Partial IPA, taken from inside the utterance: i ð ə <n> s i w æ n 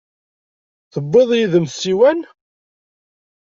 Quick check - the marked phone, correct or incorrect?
incorrect